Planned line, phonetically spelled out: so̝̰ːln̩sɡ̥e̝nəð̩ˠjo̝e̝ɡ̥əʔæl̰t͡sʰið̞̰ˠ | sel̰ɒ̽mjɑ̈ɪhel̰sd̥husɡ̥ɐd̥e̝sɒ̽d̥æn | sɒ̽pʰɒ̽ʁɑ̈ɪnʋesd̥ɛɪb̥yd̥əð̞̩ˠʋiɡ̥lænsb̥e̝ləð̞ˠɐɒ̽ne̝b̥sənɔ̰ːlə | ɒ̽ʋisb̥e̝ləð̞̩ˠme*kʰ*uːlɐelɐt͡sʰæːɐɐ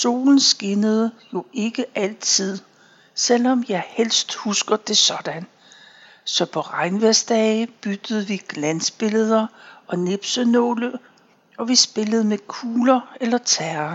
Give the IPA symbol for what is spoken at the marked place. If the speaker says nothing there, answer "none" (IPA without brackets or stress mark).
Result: kʰ